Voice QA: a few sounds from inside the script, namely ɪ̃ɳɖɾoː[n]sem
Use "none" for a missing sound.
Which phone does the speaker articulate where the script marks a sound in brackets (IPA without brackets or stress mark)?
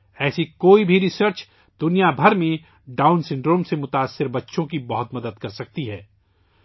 m